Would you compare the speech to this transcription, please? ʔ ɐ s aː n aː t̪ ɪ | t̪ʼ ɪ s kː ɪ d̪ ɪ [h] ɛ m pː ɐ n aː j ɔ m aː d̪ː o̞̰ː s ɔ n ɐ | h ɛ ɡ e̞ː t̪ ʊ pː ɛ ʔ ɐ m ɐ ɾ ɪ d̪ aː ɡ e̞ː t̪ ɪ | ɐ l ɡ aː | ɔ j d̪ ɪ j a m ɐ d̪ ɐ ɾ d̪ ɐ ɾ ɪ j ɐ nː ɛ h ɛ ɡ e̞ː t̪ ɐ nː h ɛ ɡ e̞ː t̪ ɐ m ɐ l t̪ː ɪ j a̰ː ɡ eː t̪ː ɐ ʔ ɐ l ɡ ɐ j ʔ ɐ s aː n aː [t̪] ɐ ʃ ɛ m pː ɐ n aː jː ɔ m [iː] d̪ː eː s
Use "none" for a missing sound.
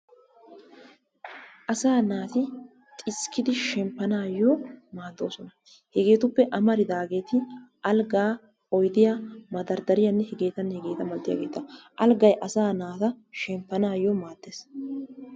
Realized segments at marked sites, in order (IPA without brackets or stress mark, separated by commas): ʃ, t̪, aː